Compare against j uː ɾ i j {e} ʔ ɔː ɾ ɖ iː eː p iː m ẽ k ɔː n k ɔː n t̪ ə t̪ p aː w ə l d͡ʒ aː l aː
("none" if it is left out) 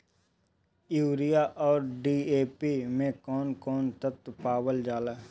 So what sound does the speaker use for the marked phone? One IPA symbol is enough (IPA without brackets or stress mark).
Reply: a